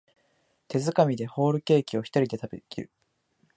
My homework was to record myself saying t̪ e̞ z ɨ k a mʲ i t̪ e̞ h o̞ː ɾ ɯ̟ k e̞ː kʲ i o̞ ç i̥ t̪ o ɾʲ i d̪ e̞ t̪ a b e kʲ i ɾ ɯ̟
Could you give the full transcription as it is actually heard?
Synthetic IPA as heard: t̪ e̞ z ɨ k a mʲ i d̪ e̞ h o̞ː ɾ ɯ̟ k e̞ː kʲ i o̞ ç i̥ t̪ o ɾʲ i d̪ e̞ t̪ a b e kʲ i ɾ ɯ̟